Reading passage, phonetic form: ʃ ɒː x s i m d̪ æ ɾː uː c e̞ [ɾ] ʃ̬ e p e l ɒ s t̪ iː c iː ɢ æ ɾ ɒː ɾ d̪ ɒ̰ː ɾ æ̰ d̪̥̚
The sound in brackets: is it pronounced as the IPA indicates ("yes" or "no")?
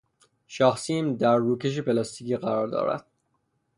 no